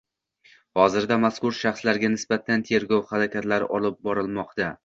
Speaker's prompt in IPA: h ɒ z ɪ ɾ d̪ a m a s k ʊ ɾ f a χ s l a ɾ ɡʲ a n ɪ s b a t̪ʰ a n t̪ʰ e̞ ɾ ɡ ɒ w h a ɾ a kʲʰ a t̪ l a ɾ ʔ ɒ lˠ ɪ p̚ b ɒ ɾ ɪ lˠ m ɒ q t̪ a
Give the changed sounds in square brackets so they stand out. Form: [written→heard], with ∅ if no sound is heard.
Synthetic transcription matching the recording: h ɒ z ɪ ɾ d̪ a m a s k ʊ ɾ [f→ʃ] a χ s l a ɾ ɡʲ a n ɪ s b a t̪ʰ a n t̪ʰ e̞ ɾ ɡ ɒ w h a ɾ a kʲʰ a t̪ l a ɾ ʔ ɒ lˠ ɪ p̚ b ɒ ɾ ɪ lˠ m ɒ q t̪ a